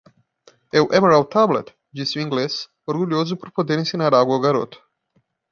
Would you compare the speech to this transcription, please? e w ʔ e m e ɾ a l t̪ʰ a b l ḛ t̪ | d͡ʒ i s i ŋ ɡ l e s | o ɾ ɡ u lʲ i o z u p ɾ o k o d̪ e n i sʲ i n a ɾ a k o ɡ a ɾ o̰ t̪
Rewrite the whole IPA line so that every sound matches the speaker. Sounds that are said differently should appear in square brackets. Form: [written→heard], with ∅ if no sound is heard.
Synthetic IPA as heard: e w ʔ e m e ɾ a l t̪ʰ a b l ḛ t̪ | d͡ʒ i s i ŋ ɡ l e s | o ɾ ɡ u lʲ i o z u p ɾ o [k→p] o d̪ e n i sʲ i n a ɾ a [k→ɡ] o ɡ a ɾ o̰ t̪

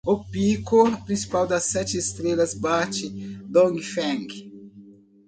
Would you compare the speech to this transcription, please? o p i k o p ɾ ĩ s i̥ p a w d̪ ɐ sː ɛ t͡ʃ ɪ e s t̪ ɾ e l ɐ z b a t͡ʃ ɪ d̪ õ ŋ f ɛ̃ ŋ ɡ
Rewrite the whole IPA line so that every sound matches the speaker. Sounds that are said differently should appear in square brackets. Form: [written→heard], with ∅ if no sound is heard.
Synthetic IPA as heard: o p i k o p ɾ ĩ s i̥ p a w d̪ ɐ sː ɛ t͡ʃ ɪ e s t̪ ɾ e l ɐ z b a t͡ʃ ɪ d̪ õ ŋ f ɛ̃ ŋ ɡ

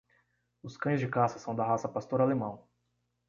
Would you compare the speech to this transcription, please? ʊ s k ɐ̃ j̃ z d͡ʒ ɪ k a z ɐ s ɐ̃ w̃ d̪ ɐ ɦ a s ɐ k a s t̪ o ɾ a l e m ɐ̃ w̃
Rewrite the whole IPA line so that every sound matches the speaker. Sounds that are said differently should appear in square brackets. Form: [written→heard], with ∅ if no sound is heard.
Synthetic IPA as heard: ʊ s k ɐ̃ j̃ z d͡ʒ ɪ k a [z→s] ɐ s ɐ̃ w̃ d̪ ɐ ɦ a s ɐ [k→p] a s t̪ o ɾ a l e m ɐ̃ w̃

